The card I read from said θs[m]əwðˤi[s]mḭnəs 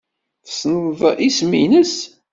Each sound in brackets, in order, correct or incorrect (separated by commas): incorrect, correct